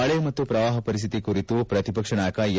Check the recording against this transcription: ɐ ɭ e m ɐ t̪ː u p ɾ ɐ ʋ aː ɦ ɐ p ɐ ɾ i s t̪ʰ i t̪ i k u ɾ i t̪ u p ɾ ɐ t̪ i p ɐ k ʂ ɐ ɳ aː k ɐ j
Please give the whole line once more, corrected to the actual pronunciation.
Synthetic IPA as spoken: ɐ ɭ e m ɐ t̪ː u p ɾ ɐ ʋ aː ɦ ɐ p ɐ ɾ i s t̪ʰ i t̪ i k u ɾ i t̪ u p ɾ ɐ t̪ i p ɐ k ʂ ɐ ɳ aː k ɐ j